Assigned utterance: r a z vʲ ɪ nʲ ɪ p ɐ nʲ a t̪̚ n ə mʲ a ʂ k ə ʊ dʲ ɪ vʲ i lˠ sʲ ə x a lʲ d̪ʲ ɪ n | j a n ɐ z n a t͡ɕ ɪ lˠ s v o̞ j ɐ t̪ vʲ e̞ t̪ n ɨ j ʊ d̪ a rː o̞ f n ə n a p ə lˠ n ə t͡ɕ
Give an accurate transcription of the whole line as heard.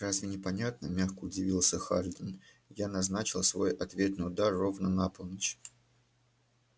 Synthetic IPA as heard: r a z vʲ ɪ nʲ ɪ p ɐ nʲ a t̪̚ n ə mʲ a x k ə ʊ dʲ ɪ vʲ i lˠ sʲ ə x a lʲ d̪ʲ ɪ n | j a n ɐ z n a t͡ɕ ɪ lˠ s v o̞ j ɐ t̪ vʲ e̞ t̪ n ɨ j ʊ d̪ a rː o̞ v n ə n a p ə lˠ n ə t͡ɕ